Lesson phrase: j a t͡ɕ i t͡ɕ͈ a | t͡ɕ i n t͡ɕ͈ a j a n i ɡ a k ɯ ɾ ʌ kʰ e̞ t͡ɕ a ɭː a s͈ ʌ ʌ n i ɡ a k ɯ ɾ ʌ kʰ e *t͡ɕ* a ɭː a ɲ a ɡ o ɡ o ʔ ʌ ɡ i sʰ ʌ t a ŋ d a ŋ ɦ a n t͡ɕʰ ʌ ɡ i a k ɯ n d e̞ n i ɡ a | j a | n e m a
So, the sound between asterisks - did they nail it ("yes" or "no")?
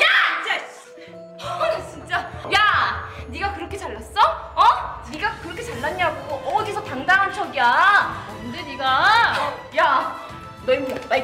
yes